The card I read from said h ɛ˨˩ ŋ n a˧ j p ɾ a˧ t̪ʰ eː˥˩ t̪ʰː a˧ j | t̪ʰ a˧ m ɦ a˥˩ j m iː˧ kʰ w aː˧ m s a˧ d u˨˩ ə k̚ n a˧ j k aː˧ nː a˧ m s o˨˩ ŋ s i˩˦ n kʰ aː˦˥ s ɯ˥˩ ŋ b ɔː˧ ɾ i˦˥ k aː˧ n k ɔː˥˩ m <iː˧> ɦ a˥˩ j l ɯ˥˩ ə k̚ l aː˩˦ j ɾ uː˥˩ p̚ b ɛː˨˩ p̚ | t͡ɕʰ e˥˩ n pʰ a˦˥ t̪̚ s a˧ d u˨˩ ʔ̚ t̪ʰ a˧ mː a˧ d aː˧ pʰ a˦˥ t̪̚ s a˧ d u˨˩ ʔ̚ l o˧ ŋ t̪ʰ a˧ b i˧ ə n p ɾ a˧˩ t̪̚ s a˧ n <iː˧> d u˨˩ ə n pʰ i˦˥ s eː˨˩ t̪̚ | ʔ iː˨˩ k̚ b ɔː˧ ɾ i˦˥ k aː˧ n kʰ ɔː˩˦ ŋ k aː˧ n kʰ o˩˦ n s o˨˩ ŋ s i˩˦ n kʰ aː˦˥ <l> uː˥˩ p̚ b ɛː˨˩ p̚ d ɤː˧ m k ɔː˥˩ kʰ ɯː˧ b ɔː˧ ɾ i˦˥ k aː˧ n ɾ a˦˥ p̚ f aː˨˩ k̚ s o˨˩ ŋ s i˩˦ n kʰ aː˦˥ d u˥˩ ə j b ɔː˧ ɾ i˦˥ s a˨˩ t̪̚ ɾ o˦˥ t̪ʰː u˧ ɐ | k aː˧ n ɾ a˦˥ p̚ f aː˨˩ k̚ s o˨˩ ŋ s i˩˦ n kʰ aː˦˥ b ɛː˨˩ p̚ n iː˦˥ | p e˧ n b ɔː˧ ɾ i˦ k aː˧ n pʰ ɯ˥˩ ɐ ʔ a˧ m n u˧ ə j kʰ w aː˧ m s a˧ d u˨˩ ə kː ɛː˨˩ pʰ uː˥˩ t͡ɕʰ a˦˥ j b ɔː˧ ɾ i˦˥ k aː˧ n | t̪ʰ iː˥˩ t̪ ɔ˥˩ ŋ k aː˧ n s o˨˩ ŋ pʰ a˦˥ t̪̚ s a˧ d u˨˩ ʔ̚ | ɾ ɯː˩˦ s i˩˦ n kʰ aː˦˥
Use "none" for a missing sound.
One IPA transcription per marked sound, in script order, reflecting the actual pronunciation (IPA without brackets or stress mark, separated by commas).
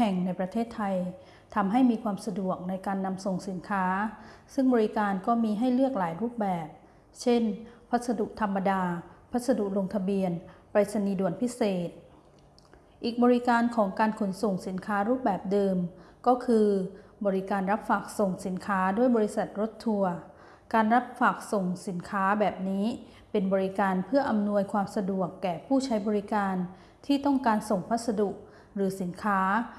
iː˧, iː˧, ɾ